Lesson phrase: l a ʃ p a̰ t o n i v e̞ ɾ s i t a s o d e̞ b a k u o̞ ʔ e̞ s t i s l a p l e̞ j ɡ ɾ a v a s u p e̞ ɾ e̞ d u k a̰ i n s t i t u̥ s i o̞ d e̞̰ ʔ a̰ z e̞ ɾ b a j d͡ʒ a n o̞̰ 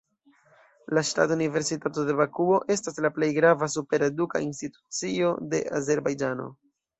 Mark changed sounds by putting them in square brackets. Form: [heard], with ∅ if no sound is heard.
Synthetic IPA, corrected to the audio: l a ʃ [t] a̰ t [u] n i v e̞ ɾ s i t a [t] o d e̞ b a k u o̞ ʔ e̞ s t [a] s l a p l e̞ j ɡ ɾ a v a s u p e̞ ɾ e̞ d u k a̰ i n s t i t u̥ [t͡s] i o̞ d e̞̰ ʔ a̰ z e̞ ɾ b a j d͡ʒ a n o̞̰